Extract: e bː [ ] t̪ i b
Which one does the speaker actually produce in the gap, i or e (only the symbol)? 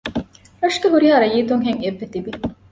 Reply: e